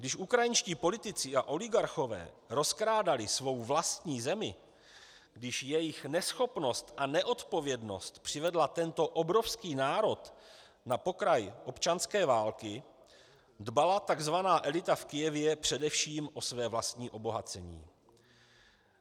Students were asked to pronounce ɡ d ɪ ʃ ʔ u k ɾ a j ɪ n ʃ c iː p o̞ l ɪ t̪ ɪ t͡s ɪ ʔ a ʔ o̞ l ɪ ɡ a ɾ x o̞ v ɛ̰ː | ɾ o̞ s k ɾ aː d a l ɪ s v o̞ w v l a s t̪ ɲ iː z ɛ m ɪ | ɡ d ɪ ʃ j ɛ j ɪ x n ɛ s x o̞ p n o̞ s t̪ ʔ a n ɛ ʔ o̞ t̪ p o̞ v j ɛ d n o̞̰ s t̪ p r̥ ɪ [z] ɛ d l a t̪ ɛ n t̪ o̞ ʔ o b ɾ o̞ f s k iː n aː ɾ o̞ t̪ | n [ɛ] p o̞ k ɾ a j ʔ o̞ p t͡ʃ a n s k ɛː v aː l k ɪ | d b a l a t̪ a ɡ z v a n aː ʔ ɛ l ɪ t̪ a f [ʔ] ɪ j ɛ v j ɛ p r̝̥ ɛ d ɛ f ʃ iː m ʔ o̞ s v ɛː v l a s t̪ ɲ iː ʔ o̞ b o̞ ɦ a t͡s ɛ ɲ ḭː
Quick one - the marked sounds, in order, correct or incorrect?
incorrect, incorrect, incorrect

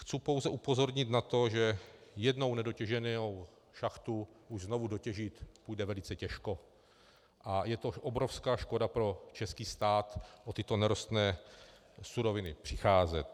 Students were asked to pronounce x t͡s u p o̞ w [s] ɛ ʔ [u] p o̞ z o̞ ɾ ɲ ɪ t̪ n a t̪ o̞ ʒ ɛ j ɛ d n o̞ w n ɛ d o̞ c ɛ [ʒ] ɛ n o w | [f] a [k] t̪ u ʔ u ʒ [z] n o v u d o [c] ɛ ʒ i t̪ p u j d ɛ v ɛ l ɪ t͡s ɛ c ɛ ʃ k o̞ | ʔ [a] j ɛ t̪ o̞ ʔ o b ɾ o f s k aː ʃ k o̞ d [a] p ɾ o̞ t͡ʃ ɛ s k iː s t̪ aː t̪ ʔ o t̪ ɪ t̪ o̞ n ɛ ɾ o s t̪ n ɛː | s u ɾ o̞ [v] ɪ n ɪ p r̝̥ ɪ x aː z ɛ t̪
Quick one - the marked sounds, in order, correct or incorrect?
incorrect, correct, correct, incorrect, incorrect, correct, correct, correct, correct, correct

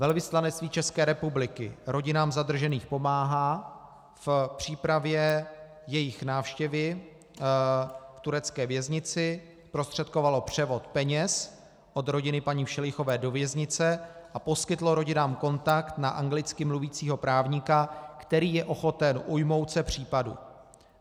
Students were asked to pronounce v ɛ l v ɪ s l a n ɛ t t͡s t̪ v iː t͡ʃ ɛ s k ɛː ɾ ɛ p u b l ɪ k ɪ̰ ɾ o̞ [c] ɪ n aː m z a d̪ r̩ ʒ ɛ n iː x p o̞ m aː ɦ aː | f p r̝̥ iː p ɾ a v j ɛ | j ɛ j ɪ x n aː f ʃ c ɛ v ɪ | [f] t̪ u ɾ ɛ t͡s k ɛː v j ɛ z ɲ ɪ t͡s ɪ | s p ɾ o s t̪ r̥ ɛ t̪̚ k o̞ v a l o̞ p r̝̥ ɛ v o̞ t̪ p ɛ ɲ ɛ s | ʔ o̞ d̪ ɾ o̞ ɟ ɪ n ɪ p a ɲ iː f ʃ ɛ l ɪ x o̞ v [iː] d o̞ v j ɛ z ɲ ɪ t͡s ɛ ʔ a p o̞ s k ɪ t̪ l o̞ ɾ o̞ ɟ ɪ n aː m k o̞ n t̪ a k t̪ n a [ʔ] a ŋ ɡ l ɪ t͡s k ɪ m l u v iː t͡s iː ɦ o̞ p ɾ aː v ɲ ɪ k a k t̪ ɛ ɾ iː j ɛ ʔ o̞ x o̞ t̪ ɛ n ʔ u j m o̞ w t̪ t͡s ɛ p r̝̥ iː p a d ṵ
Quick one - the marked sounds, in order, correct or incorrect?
incorrect, correct, incorrect, correct

